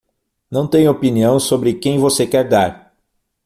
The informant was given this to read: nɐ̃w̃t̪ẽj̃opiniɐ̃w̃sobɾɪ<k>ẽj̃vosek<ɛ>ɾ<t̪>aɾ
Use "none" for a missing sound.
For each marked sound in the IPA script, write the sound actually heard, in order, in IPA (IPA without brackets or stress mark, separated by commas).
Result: k, ɛ, d̪